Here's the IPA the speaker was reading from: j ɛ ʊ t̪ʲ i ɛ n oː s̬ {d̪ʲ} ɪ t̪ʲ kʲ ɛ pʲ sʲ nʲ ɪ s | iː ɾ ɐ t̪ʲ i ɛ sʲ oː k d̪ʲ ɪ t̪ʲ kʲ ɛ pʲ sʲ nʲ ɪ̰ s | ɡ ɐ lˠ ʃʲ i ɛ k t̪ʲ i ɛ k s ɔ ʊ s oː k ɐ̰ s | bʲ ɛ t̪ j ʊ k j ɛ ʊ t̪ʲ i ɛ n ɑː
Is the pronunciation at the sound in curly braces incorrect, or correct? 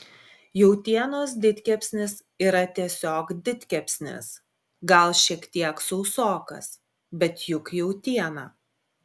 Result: correct